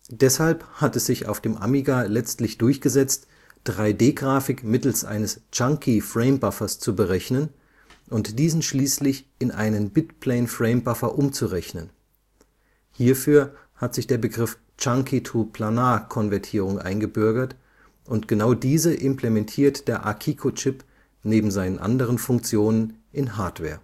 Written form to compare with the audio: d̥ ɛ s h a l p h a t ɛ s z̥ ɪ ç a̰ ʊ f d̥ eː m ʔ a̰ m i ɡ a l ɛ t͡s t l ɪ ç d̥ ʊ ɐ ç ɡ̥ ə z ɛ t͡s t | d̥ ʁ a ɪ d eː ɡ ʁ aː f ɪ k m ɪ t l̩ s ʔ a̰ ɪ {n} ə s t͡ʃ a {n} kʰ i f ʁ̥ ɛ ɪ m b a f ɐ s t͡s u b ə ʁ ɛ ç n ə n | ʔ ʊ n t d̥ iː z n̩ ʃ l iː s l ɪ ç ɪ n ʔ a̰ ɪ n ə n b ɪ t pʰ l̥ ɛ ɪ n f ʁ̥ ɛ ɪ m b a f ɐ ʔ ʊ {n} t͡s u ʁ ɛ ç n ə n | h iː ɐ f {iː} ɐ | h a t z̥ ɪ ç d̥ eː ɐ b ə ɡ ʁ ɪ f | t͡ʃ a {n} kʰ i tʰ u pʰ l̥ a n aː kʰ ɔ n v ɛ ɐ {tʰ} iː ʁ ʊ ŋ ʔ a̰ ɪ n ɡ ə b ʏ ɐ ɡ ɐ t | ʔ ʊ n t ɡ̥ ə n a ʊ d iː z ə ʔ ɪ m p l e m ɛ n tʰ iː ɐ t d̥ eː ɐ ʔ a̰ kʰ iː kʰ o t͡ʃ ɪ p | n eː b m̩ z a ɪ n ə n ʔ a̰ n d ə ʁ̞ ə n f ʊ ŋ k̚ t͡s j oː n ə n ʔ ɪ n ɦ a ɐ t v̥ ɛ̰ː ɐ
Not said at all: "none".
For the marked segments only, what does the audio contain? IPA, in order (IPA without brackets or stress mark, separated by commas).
n, ŋ, m, yː, ŋ, tʰ